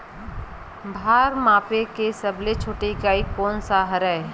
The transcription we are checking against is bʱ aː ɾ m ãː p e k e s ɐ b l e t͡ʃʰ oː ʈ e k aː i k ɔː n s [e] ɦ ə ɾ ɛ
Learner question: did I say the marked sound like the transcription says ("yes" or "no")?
no